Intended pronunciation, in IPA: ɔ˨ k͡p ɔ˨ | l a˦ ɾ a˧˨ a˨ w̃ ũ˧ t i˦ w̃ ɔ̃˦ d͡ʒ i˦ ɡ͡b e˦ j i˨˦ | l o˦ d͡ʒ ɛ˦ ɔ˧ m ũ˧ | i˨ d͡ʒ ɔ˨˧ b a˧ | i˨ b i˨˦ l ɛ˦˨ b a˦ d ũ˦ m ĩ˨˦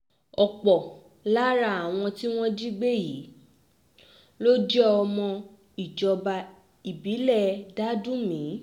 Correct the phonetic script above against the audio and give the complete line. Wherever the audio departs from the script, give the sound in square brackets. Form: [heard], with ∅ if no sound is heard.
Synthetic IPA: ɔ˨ k͡p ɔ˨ | l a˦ ɾ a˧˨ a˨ w̃ [ɔ̃˧] t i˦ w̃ ɔ̃˦ d͡ʒ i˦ ɡ͡b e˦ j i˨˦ | l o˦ d͡ʒ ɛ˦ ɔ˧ m [ɔ̃˧] | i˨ d͡ʒ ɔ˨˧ b a˧ | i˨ b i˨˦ l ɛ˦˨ [d] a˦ d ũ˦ m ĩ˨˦